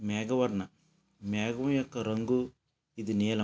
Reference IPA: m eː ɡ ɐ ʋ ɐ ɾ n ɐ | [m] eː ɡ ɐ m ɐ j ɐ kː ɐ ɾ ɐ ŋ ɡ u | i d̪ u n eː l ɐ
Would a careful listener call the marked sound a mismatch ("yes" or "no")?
no